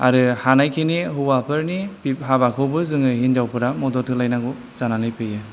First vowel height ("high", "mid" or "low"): low